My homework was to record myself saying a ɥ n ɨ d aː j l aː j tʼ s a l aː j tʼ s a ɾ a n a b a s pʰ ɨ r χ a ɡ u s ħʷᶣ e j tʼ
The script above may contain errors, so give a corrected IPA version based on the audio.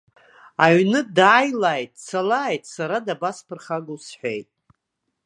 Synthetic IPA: a ɥ n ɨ d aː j l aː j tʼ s a l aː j tʼ s a ɾ a d a b a s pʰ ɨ r χ a ɡ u s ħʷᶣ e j tʼ